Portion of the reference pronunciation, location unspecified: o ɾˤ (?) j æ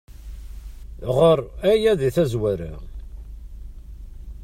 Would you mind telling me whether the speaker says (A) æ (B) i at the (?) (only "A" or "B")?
A